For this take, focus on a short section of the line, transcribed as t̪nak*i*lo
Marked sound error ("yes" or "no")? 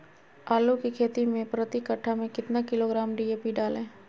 yes